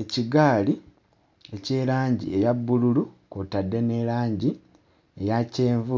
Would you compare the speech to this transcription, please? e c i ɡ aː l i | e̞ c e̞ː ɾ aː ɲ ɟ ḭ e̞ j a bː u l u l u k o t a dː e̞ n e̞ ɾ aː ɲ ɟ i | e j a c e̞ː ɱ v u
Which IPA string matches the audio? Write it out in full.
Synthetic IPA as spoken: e c i ɡ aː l i | e̞ c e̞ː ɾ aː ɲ ɟ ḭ e̞ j a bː u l u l u k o t a dː e̞ n e̞ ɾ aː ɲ ɟ i | e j a c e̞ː ɱ v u

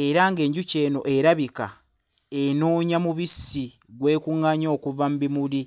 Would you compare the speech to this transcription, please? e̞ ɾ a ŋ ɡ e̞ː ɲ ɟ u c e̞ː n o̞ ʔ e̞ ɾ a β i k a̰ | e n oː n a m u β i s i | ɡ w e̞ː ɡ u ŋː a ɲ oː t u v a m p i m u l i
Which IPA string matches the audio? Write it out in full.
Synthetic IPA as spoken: e̞ ɾ a ŋ ɡ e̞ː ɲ ɟ u c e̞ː n o̞ ʔ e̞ ɾ a β i k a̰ | e n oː ɲ a m u β i s i | ɡ w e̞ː k u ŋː a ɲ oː k u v a m b i m u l i

